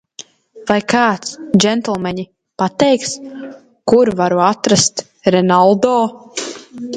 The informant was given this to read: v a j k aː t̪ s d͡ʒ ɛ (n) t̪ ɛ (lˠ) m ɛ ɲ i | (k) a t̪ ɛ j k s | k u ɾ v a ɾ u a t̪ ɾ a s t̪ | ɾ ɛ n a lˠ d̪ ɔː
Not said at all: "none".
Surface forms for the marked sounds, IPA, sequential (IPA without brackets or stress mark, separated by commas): n, lˠ, p